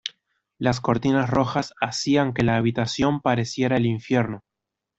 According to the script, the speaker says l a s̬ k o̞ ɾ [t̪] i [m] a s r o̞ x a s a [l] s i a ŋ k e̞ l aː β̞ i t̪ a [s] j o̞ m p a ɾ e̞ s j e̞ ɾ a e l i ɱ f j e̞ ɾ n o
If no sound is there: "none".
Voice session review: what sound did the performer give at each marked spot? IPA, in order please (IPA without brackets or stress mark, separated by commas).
t̪, n, none, s